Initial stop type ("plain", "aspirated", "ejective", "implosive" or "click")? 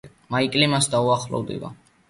ejective